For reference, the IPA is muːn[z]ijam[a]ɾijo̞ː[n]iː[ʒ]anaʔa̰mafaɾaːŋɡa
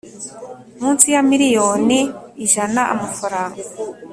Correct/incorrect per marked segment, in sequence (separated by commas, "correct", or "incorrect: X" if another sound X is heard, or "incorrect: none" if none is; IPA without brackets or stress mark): incorrect: s, incorrect: i, correct, correct